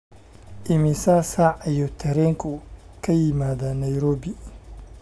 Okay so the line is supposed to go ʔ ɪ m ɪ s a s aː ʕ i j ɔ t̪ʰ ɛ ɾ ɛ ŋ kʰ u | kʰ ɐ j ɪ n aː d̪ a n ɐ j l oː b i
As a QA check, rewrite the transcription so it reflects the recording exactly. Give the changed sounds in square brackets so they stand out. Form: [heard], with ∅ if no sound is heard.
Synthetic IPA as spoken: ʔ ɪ m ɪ s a s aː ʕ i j ɔ t̪ʰ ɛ ɾ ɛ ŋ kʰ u | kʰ ɐ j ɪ [m] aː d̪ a n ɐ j [ɾ] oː b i